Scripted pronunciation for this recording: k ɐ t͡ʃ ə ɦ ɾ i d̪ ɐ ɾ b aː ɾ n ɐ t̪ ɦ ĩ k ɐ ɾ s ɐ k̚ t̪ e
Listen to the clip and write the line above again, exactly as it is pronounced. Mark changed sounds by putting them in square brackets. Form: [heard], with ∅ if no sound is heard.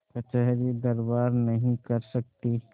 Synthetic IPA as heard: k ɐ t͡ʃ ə ɦ ɾ i d̪ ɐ ɾ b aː ɾ n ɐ [∅] ɦ ĩ k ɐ ɾ s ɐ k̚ t̪ [i]